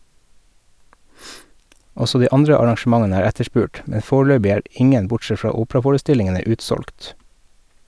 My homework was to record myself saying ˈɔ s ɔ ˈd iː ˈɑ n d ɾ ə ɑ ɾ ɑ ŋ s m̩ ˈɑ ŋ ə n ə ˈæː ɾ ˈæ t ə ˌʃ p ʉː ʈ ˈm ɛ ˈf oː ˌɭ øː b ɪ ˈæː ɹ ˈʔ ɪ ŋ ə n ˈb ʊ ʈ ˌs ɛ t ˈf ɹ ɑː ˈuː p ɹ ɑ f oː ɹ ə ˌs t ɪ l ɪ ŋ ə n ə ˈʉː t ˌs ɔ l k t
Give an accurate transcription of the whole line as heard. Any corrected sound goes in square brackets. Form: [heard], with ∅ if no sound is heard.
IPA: ˈɔ s ɔ ˈd iː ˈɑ n d ɾ ə ɑ ɾ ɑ ŋ [ʃ] m̩ ˈɑ ŋ ə n ə ˈæː ɾ ˈæ t ə ˌʃ p ʉː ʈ ˈm ɛ ˈf oː ˌɭ øː b ɪ ˈæː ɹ ˈʔ ɪ ŋ ə n ˈb ʊ ʈ ˌs ɛ t ˈf ɹ ɑː ˈuː p ɹ ɑ f oː ɹ ə ˌs t ɪ l ɪ ŋ ə n ə ˈʉː t ˌs ɔ l k t